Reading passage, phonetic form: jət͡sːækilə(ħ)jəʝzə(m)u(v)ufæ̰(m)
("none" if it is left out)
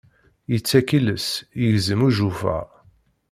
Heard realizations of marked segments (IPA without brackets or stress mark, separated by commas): s, m, ʒ, none